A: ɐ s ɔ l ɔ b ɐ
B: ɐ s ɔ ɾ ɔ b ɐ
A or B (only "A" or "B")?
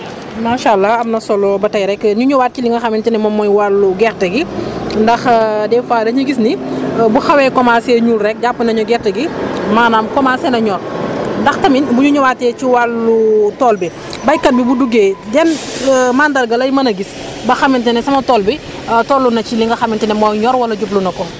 A